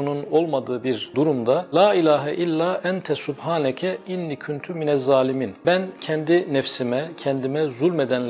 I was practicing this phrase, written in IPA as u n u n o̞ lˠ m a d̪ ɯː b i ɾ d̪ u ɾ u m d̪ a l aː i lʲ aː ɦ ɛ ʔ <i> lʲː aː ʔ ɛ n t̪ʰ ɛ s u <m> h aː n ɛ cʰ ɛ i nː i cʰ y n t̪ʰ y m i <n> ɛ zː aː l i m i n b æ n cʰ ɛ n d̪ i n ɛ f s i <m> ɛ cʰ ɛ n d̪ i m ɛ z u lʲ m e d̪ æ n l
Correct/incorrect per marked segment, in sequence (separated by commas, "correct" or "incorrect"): correct, incorrect, correct, correct